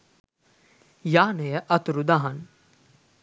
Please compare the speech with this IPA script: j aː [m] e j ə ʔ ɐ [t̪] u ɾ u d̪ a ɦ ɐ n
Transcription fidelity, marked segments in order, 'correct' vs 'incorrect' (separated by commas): incorrect, correct